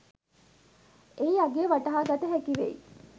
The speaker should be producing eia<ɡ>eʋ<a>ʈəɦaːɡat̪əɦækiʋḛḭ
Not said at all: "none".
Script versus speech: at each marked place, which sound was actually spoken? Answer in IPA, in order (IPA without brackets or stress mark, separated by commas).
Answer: ɡ, a